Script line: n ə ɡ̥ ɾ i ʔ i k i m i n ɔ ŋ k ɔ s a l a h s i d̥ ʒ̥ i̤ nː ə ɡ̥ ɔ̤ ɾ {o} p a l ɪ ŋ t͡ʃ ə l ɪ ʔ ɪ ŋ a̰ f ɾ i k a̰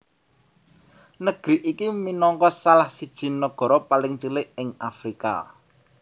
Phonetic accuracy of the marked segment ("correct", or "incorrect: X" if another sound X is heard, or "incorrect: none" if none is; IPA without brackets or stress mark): incorrect: ɔ